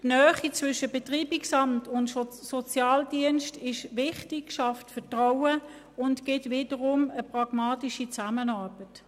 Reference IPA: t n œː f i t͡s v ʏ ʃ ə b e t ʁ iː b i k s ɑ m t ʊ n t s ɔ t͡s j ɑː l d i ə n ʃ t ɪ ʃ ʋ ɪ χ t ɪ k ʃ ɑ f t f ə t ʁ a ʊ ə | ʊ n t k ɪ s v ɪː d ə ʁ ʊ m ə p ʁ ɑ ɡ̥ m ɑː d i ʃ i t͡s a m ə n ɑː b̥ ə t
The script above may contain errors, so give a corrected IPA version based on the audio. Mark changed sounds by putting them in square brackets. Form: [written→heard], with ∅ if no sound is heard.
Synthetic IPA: t n œː [f→χ] i t͡s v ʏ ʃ ə b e t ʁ iː b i k s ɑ m t ʊ n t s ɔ t͡s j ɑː l d i ə n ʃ t ɪ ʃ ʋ ɪ χ t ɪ k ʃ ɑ f t f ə t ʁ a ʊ ə | ʊ n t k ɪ [s→t] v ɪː d ə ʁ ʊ m ə p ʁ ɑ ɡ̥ m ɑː [d→t] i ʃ i t͡s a m ə n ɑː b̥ ə t